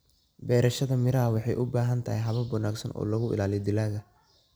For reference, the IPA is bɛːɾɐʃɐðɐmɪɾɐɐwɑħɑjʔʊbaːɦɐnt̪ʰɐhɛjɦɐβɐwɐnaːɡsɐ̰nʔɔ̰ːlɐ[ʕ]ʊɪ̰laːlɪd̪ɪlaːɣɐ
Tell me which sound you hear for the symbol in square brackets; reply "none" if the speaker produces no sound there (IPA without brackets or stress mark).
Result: ɣ